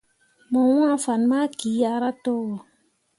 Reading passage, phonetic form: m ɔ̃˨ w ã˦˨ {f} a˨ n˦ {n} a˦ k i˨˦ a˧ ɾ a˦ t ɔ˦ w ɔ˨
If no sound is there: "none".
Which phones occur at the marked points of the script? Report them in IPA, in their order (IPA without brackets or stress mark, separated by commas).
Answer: f, m